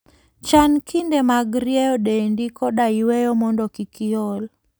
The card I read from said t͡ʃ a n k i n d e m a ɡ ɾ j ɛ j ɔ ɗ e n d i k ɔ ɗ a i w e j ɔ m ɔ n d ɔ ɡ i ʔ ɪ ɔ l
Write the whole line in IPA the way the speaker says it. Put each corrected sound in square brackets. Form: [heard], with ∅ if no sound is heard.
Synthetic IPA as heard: t͡ʃ a n k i n d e m a ɡ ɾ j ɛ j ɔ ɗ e n d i k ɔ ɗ a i w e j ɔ m ɔ n d ɔ [k] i [k] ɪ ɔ l